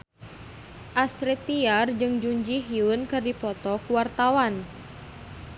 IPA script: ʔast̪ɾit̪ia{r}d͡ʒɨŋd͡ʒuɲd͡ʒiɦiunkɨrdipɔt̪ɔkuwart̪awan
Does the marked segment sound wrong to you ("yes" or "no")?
no